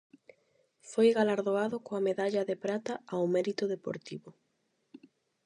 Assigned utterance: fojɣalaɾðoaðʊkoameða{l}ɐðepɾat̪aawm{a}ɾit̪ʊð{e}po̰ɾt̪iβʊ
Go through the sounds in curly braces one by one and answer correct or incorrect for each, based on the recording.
incorrect: ʎ, incorrect: ɛ, correct

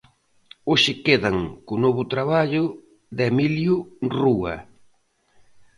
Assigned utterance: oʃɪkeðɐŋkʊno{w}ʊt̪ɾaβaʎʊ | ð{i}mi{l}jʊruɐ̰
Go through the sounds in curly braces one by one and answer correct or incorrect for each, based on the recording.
incorrect: β, incorrect: e, correct

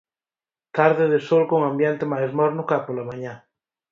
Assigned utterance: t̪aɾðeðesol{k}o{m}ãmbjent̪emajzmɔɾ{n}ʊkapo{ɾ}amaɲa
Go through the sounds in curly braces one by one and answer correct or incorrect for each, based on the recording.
correct, incorrect: ŋ, correct, incorrect: l

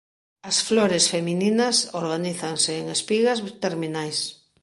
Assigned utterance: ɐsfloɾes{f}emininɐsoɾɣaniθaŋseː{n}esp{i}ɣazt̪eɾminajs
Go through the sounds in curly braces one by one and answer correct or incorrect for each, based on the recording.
correct, incorrect: ŋ, correct

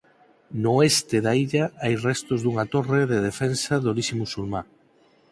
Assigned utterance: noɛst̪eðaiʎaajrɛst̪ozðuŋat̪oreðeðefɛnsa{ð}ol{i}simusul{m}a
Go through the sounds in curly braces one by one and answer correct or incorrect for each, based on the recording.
correct, correct, correct

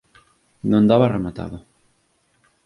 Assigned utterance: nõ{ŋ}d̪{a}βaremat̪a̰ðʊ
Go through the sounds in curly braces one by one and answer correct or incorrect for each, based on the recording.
incorrect: n, correct

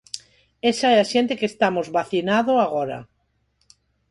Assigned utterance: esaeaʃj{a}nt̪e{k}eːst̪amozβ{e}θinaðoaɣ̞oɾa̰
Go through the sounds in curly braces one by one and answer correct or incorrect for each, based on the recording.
incorrect: e, correct, incorrect: a

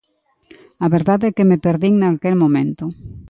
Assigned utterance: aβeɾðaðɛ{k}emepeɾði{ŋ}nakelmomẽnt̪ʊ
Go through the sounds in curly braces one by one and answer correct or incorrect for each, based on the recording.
correct, correct

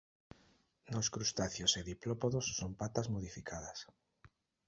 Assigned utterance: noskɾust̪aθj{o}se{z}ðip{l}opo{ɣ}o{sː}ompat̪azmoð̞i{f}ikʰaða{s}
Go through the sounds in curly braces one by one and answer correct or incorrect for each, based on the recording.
correct, incorrect: none, correct, incorrect: ð, correct, correct, correct

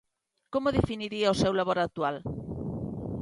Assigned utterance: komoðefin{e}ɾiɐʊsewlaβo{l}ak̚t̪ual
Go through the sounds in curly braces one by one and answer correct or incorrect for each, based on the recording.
incorrect: i, incorrect: ɾ

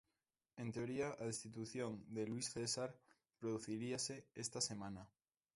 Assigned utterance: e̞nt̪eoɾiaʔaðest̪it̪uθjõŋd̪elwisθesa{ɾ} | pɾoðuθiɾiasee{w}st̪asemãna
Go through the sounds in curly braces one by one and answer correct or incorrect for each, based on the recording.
correct, incorrect: none

